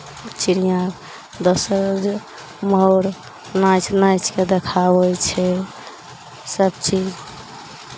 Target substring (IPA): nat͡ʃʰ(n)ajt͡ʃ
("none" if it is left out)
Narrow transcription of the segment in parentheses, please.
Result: n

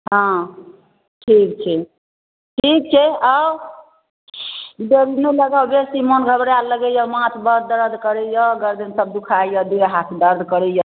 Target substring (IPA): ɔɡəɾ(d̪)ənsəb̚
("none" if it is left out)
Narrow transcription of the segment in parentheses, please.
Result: d̪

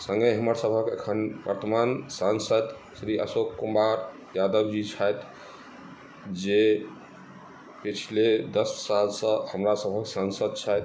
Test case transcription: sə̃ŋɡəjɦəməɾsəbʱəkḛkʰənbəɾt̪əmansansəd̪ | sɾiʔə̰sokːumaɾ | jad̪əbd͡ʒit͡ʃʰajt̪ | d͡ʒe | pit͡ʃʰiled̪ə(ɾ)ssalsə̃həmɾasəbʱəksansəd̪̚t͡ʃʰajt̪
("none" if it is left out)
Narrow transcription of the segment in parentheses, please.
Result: none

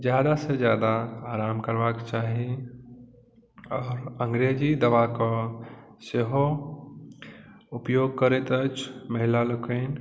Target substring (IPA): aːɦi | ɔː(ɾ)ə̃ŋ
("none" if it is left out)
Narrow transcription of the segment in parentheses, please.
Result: ɾ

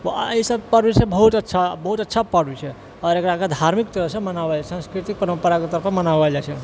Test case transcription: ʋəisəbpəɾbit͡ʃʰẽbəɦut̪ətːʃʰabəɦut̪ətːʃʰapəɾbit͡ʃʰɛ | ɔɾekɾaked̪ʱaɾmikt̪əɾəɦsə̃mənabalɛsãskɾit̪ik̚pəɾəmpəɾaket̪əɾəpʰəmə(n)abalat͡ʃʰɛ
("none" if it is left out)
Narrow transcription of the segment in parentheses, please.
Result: n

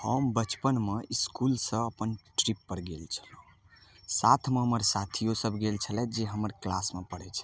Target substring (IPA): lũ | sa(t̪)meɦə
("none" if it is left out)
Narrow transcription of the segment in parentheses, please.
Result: t̪ʰ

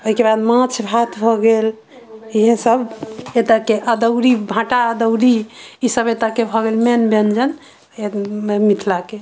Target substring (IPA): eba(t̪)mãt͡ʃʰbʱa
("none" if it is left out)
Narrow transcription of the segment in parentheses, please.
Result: d̪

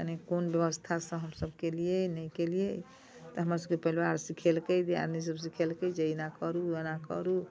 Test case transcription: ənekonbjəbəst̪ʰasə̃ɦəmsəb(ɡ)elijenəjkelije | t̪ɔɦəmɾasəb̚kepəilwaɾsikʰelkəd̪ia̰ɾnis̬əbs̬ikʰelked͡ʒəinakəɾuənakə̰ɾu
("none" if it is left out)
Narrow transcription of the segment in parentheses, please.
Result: k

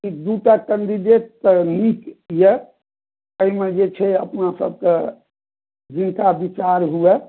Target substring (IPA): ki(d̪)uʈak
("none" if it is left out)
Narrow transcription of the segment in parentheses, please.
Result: d̪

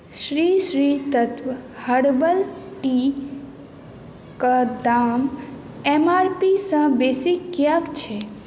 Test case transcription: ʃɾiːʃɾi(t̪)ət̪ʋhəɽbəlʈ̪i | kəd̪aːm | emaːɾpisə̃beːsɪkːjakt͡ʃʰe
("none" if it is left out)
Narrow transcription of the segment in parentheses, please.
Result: t̪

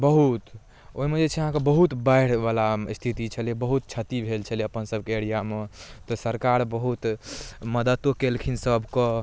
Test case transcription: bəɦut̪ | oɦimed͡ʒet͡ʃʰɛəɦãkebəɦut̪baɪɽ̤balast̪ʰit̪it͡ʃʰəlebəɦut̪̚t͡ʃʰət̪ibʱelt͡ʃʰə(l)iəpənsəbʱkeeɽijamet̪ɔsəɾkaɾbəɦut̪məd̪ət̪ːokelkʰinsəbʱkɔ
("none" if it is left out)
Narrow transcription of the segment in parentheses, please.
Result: l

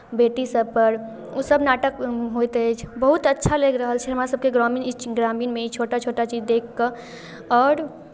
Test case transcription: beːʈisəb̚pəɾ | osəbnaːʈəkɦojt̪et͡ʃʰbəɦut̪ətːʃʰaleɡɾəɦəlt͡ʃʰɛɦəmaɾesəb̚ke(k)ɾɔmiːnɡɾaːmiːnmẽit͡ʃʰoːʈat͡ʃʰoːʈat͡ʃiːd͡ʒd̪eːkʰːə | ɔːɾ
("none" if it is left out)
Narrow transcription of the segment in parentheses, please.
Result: ɡ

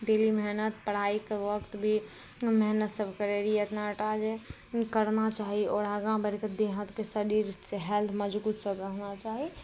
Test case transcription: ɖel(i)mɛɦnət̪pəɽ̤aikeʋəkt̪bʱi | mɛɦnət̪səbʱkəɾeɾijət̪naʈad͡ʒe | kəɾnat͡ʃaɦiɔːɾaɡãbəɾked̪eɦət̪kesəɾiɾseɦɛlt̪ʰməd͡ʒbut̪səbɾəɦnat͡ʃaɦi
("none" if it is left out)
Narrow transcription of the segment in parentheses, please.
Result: i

